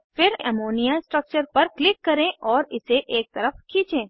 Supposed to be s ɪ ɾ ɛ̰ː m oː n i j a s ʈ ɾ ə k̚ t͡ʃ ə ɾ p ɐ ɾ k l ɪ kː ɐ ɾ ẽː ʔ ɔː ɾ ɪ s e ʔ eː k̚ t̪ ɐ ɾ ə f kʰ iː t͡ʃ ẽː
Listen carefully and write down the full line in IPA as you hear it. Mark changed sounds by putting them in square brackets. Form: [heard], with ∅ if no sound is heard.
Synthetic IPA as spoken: [f] ɪ ɾ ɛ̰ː m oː n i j a s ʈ ɾ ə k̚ t͡ʃ ə ɾ p ɐ ɾ k l ɪ kː ɐ ɾ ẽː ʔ ɔː ɾ ɪ s e ʔ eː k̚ t̪ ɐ ɾ ə f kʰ iː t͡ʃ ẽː